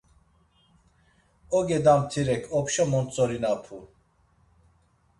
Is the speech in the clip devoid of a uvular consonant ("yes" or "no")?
yes